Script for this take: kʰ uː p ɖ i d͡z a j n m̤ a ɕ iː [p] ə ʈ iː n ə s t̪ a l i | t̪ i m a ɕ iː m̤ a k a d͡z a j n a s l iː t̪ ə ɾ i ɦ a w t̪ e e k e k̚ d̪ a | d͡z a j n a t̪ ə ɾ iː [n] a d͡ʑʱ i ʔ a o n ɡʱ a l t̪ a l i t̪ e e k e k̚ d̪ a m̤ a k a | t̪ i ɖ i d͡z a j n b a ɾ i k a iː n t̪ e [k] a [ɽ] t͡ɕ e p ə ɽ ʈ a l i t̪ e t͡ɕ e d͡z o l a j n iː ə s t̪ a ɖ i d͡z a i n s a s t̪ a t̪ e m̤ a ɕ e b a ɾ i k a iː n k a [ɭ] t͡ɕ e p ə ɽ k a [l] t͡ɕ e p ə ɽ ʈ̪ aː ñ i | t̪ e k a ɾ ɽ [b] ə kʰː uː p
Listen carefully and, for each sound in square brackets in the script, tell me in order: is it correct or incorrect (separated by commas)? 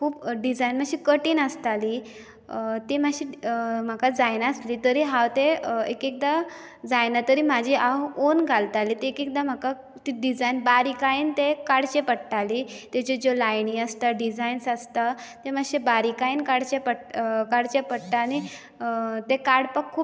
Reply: incorrect, incorrect, correct, correct, incorrect, incorrect, incorrect